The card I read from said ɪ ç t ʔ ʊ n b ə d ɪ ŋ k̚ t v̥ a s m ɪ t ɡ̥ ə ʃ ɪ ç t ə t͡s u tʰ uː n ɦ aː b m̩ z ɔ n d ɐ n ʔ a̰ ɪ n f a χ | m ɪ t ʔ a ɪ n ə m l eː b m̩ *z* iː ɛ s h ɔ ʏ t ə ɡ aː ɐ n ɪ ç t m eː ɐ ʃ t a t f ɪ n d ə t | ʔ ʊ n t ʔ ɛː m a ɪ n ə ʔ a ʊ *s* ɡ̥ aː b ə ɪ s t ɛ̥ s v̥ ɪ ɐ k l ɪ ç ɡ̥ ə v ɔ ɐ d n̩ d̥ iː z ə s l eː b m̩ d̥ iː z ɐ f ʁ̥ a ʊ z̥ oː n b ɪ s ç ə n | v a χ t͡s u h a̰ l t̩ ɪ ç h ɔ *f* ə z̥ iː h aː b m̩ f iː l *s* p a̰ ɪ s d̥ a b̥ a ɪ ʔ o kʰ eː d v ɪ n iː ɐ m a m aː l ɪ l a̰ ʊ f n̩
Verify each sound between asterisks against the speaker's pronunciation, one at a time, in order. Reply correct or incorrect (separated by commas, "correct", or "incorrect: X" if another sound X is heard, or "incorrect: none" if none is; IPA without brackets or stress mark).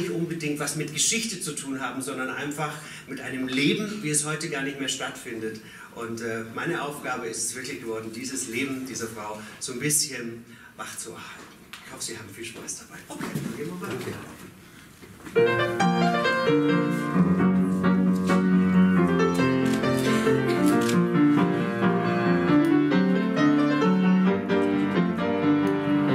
incorrect: v, incorrect: f, correct, incorrect: ʃ